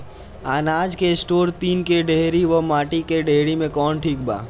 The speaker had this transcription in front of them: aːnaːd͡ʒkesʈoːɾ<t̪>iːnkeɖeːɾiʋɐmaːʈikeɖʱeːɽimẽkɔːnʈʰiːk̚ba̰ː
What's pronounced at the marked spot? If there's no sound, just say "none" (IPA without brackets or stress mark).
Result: t̪